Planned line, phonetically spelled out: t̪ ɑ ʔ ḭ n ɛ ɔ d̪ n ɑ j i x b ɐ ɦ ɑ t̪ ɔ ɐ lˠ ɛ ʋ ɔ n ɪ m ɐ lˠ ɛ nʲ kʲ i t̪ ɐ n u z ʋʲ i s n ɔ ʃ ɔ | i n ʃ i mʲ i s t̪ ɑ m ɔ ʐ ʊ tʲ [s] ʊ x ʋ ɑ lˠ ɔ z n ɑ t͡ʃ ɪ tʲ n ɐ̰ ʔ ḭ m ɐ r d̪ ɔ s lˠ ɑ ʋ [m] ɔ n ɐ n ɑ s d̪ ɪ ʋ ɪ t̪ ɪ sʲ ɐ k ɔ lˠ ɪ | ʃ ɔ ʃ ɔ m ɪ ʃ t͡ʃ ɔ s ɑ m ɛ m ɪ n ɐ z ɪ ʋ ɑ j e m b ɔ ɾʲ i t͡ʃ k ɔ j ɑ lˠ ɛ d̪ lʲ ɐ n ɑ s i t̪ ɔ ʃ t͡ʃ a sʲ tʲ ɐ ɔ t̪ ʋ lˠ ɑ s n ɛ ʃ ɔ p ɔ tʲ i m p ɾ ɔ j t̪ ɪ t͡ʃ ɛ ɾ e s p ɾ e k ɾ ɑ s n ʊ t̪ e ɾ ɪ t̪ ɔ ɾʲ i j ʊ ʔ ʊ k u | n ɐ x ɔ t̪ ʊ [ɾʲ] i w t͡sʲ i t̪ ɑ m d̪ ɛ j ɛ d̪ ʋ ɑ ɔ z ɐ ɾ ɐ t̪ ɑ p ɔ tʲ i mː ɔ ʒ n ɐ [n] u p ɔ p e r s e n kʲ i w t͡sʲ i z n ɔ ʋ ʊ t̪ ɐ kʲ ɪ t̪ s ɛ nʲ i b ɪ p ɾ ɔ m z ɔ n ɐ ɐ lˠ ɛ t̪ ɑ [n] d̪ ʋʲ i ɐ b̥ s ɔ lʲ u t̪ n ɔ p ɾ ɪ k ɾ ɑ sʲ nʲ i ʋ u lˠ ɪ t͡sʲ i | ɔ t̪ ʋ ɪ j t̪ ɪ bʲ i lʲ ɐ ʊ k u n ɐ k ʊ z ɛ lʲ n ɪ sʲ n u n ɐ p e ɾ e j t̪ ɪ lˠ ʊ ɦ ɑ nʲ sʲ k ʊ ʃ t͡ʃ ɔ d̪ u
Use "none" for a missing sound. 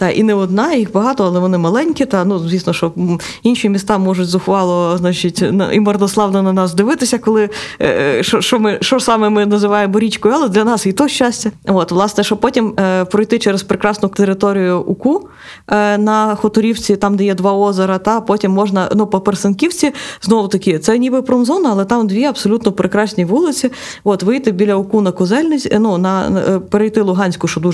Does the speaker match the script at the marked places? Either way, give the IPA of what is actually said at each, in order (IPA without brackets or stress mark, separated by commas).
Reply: z, n, ɾʲ, n, m